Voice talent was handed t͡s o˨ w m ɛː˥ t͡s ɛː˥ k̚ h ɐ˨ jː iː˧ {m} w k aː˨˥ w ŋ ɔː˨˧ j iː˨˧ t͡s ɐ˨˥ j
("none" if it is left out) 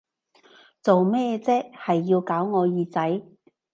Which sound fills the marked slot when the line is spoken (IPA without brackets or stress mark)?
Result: none